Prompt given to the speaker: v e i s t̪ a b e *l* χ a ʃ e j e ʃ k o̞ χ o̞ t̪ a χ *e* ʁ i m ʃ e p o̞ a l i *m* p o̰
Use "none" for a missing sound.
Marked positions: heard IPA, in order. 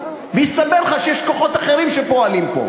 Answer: l, e, m

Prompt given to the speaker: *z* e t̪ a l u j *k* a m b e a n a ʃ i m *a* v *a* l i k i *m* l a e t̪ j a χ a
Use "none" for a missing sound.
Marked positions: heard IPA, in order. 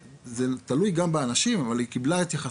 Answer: z, ɡ, a, a, b

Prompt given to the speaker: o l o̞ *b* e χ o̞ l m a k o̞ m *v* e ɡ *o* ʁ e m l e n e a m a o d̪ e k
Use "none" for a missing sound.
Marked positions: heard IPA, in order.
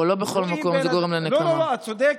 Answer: b, z, o

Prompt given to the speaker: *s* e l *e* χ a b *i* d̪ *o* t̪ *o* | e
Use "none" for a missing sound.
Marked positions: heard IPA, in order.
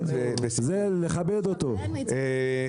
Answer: z, e, e, o, o

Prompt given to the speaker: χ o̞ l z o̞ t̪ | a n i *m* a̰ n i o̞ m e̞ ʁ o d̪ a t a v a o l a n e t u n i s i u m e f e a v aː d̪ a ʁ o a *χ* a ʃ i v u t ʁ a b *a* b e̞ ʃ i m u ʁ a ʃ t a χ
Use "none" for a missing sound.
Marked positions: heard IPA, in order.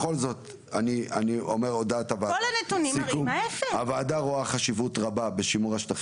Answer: none, χ, a

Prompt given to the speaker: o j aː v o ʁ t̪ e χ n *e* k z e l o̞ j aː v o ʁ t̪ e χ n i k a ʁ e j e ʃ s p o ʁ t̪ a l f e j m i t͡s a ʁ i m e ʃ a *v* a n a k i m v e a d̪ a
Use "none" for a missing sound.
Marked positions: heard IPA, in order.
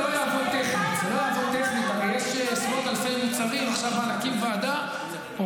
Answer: i, v

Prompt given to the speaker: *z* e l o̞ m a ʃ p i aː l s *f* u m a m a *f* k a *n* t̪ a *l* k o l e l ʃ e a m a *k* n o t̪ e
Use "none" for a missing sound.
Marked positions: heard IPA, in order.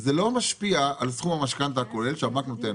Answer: z, χ, ʃ, n, none, k

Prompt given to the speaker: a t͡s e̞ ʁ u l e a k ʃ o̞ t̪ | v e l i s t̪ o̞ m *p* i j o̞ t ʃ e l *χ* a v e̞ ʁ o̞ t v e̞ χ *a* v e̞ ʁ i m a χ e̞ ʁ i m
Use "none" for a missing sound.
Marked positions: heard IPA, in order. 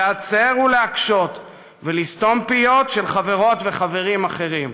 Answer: p, χ, a

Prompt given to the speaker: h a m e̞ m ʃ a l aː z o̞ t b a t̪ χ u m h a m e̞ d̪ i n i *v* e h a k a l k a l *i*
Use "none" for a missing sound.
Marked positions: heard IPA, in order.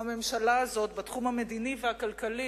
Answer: v, i

